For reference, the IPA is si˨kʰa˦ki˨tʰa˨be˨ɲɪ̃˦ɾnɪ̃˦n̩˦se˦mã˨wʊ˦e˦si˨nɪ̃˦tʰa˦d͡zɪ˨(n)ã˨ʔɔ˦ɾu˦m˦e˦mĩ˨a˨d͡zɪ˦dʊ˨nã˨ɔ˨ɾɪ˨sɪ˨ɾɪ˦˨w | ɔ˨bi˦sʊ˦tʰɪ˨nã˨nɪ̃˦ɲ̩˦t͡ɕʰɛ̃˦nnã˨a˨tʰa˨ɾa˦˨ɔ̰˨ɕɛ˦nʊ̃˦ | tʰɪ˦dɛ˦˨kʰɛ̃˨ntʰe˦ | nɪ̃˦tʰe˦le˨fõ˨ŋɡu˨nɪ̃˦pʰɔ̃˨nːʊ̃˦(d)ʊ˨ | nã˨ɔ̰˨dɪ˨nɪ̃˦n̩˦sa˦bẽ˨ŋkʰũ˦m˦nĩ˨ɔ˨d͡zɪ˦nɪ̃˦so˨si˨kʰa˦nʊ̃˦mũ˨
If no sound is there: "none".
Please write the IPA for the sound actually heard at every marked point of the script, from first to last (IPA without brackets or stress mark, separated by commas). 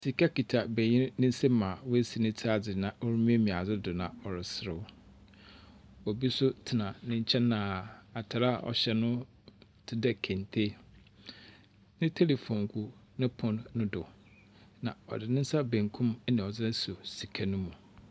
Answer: n, d